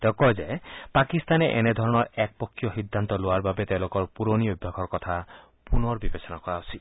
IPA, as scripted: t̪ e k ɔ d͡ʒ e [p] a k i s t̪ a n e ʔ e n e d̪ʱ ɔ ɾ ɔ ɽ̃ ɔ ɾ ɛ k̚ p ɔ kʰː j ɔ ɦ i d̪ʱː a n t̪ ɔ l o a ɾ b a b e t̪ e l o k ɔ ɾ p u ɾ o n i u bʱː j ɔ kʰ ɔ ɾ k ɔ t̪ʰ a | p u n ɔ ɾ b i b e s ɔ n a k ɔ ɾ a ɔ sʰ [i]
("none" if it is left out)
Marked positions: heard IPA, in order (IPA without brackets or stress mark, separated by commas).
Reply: p, i